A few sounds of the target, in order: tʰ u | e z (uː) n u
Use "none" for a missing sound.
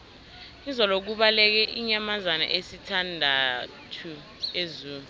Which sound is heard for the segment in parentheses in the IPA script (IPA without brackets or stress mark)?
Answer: uː